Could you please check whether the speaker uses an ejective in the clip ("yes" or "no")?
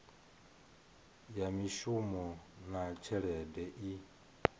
no